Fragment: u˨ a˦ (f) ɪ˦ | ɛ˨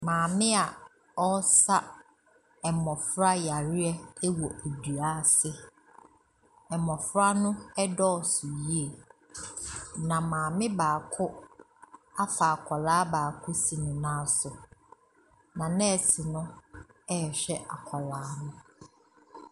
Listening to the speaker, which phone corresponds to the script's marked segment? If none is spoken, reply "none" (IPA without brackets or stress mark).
s